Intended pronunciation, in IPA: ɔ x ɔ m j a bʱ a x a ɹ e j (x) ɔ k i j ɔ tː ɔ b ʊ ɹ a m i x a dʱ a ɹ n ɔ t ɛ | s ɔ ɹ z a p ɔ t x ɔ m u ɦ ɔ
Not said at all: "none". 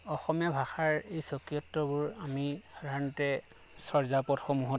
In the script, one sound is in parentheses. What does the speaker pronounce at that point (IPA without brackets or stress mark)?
s